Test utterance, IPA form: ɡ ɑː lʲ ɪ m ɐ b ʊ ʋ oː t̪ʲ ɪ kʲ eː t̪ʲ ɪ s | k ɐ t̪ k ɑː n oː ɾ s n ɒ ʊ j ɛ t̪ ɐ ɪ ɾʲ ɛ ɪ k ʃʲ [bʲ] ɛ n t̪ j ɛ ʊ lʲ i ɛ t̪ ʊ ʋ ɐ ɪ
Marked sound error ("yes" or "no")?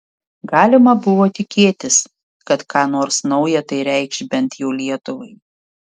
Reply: no